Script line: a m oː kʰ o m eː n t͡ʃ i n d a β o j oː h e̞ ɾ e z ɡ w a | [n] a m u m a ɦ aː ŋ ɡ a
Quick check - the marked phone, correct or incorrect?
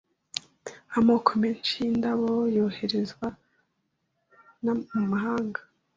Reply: correct